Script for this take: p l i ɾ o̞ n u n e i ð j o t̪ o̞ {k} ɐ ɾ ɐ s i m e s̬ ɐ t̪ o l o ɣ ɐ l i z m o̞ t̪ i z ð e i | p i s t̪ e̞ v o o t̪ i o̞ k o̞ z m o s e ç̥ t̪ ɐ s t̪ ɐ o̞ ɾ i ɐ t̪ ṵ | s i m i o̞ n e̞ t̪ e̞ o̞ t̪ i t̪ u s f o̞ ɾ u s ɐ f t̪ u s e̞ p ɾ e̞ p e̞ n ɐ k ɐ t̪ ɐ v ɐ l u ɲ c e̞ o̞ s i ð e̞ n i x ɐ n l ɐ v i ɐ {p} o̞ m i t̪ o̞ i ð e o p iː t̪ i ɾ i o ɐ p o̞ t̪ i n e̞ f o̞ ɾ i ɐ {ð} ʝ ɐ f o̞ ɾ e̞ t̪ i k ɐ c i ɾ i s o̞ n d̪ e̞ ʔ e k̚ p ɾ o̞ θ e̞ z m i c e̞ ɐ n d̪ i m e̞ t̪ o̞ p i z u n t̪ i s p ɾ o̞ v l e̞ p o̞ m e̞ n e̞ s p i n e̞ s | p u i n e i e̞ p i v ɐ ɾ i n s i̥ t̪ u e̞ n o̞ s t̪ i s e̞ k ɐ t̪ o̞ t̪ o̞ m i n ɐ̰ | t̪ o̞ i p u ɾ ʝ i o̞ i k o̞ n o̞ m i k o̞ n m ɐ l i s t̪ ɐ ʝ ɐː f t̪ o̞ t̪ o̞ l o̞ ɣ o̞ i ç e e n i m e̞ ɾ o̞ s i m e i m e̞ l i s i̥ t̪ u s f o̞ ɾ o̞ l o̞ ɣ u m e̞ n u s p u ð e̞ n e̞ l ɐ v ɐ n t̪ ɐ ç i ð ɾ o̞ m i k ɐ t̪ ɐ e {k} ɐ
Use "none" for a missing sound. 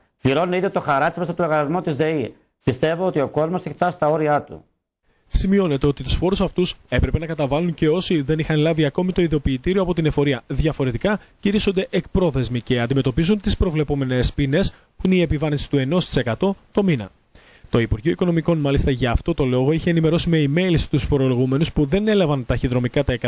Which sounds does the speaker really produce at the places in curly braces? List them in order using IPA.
x, k, ð, k

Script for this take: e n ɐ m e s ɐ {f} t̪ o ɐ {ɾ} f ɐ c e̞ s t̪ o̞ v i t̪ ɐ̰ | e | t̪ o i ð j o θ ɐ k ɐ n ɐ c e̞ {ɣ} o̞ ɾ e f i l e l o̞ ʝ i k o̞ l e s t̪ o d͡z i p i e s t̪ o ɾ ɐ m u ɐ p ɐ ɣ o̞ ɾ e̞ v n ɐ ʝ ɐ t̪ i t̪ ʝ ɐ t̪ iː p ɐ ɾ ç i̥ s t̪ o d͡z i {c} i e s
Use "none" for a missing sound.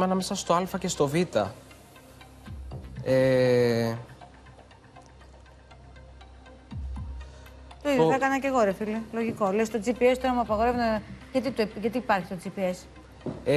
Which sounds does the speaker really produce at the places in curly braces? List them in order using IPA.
s, l, ɣ, p

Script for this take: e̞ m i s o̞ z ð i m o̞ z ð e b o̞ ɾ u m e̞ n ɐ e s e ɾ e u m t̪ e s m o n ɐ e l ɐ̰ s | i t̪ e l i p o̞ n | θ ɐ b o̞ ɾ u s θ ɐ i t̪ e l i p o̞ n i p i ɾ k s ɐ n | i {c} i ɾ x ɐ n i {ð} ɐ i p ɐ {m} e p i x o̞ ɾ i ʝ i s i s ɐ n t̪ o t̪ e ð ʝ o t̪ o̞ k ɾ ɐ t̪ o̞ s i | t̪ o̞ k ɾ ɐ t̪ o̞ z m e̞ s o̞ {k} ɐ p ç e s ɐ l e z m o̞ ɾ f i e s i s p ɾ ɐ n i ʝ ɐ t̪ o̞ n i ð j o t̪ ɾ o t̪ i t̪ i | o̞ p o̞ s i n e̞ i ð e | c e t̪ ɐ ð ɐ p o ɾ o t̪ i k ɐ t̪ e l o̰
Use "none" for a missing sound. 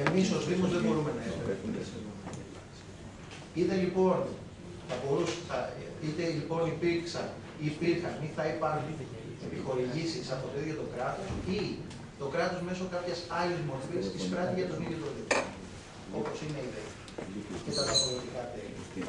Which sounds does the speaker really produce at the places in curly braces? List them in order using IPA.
p, θ, n, k

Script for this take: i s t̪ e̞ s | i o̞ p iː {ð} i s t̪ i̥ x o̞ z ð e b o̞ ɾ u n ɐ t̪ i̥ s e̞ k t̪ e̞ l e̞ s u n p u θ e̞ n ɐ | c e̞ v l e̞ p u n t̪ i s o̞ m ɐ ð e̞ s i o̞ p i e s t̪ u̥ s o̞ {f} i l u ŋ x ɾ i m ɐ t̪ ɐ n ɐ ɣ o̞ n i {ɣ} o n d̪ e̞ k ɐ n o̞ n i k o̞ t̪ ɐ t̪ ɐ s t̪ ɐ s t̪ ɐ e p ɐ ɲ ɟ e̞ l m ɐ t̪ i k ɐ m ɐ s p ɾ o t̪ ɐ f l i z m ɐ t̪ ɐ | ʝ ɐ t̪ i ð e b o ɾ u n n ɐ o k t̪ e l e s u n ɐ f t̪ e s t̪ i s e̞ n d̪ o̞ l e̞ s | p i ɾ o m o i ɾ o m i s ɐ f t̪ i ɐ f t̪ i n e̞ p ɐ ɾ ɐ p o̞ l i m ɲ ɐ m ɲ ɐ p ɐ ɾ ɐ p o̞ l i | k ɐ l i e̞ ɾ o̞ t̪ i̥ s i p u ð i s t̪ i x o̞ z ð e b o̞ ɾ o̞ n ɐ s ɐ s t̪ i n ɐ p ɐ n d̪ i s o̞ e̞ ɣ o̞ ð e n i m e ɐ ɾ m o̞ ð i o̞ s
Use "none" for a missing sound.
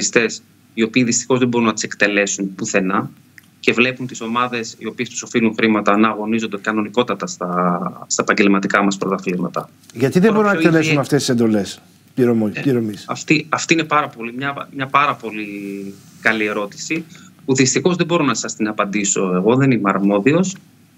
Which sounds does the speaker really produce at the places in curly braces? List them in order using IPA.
ð, f, z

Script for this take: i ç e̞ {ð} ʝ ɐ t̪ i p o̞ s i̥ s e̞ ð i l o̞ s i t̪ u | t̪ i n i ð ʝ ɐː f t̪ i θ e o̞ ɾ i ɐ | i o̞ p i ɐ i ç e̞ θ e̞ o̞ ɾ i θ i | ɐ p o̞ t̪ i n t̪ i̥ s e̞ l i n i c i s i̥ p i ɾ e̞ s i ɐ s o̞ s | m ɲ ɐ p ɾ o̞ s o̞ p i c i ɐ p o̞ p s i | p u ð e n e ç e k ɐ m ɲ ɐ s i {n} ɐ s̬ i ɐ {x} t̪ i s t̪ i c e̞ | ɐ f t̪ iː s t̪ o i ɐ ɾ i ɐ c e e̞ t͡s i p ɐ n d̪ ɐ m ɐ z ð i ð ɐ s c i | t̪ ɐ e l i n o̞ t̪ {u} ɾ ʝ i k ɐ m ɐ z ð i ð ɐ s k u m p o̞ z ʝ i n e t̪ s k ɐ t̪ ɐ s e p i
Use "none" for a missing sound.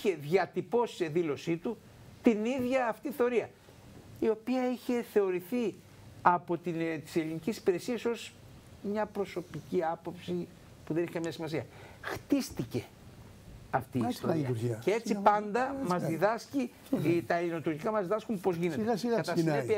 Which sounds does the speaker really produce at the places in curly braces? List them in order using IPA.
ð, m, x, u

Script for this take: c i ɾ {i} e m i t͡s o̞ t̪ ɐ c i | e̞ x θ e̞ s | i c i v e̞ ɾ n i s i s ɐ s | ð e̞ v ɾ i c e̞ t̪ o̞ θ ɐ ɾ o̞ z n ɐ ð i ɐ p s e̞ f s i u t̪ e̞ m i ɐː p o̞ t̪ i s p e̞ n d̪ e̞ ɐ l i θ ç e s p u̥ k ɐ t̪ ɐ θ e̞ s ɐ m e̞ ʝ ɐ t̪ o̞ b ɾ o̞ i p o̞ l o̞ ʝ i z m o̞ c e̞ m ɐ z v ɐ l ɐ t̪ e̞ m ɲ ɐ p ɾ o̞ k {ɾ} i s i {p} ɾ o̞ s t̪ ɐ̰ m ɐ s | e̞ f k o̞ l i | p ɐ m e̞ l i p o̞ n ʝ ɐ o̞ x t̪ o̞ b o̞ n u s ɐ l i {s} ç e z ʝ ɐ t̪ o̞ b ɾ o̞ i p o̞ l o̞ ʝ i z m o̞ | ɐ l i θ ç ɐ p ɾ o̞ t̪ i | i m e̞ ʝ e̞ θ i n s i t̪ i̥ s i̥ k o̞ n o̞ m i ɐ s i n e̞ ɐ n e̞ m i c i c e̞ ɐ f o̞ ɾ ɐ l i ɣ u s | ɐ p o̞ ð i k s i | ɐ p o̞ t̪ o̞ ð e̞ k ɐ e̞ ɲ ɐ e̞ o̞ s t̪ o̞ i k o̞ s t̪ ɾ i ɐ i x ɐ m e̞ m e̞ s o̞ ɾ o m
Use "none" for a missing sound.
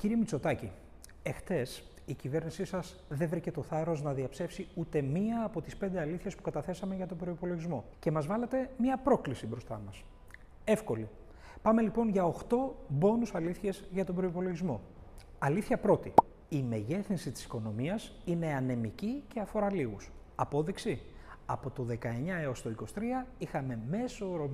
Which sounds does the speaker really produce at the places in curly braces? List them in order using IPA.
i, l, b, θ

